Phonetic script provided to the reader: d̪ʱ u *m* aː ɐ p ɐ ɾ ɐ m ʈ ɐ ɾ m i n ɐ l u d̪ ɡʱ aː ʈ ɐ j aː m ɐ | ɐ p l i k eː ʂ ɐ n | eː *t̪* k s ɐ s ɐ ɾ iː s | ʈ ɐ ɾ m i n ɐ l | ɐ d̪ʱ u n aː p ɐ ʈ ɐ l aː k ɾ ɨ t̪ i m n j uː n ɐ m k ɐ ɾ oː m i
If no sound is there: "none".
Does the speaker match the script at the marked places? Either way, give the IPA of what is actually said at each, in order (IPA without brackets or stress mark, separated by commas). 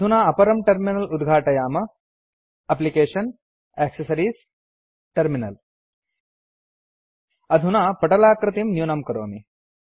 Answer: n, none